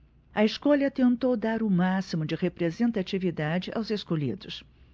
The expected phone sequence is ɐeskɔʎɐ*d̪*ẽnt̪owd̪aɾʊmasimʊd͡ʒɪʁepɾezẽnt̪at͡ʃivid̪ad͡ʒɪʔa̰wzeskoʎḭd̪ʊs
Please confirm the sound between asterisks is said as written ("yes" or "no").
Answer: no